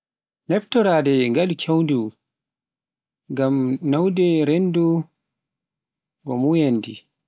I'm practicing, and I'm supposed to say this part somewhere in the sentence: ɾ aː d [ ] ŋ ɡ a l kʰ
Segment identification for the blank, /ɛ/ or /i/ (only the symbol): ɛ